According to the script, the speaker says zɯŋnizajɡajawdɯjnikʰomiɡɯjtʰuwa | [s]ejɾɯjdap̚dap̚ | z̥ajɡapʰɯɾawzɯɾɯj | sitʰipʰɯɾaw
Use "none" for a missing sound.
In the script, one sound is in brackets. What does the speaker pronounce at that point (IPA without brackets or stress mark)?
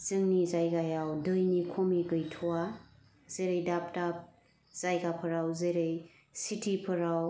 z